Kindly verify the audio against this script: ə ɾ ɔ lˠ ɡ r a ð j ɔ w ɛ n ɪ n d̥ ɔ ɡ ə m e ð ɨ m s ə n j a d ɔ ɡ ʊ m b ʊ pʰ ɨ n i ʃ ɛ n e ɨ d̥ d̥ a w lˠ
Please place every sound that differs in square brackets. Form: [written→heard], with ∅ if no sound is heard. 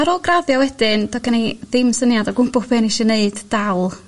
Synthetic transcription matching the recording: [ə→a] ɾ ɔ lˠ ɡ r a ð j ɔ w ɛ [n→d] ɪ n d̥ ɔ ɡ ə [m→n] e ð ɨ m s ə n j a d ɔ ɡ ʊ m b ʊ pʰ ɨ n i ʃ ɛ n e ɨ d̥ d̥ a w lˠ